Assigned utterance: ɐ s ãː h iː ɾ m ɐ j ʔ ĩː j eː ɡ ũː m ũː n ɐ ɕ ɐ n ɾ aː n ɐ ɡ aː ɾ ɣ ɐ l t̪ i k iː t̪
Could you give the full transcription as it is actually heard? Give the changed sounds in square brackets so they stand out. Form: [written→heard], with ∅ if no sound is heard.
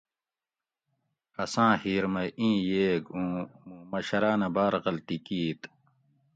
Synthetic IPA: ɐ s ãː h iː ɾ m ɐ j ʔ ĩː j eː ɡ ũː m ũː [n→m] ɐ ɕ ɐ [n→∅] ɾ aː n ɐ [ɡ→b] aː ɾ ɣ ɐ l t̪ i k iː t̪